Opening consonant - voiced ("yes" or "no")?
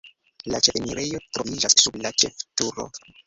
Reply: yes